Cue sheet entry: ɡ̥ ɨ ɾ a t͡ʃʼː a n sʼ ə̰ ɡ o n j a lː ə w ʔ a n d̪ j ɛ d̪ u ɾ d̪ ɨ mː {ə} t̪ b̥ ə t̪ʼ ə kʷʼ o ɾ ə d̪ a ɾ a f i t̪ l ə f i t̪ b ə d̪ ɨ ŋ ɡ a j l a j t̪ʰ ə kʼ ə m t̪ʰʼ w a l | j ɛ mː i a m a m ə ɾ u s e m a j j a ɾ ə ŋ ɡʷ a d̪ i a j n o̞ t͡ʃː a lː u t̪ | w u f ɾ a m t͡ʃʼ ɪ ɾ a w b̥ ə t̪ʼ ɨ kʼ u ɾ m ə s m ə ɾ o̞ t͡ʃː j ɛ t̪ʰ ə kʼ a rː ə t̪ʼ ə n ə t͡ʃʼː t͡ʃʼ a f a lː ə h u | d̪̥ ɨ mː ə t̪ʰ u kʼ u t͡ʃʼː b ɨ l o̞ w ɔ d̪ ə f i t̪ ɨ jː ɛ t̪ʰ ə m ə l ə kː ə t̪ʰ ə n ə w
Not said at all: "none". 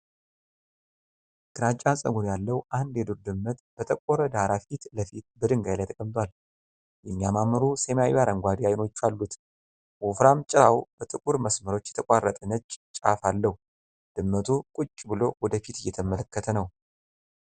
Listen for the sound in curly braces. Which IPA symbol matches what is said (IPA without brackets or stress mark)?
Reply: ə